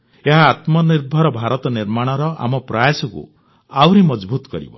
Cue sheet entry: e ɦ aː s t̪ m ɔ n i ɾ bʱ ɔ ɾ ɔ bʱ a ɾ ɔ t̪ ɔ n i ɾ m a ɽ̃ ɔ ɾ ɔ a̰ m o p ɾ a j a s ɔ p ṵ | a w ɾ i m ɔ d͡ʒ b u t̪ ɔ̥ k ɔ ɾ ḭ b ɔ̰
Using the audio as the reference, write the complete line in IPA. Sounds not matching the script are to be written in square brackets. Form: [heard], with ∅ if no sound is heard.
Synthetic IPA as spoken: e ɦ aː [∅] t̪ m ɔ n i ɾ bʱ ɔ ɾ ɔ bʱ a ɾ ɔ t̪ ɔ n i ɾ m a ɽ̃ ɔ ɾ ɔ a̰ m [ɔ] p ɾ a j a s ɔ [k] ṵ | a w ɾ i m ɔ d͡ʒ b u t̪ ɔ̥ k ɔ ɾ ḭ b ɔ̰

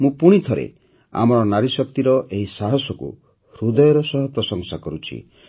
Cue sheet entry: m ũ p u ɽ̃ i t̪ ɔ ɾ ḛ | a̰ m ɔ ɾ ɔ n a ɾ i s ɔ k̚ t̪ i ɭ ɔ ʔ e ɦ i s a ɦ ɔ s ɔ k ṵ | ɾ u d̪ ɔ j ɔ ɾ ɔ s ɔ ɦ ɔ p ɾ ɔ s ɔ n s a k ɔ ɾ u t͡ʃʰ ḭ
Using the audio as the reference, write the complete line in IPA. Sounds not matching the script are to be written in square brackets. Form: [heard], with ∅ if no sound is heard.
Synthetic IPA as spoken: m ũ p u ɽ̃ i [t̪ʰ] ɔ ɾ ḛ | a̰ m ɔ ɾ ɔ n a ɾ i s ɔ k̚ t̪ i [ɾ] ɔ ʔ e ɦ i s a ɦ ɔ s ɔ k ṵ | ɾ u d̪ ɔ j ɔ ɾ ɔ s ɔ ɦ ɔ p ɾ ɔ s ɔ [ŋ] s a k ɔ ɾ u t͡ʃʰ ḭ

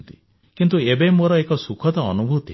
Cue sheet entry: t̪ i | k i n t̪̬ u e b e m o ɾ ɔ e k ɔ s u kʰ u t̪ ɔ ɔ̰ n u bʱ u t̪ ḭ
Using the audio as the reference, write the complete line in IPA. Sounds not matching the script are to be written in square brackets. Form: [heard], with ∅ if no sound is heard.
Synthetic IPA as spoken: t̪ i | k i n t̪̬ u e b e m o ɾ ɔ e k ɔ s u kʰ [ɔ] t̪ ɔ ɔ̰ n u bʱ u t̪ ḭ

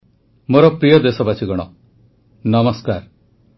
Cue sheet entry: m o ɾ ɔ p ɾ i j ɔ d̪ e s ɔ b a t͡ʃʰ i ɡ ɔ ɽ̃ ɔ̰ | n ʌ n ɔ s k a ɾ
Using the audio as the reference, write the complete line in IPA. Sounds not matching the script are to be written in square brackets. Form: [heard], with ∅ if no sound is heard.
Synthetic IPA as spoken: m o ɾ ɔ p ɾ i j ɔ d̪ e s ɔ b a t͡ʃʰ i ɡ ɔ ɽ̃ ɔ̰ | n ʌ [m] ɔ s k a ɾ

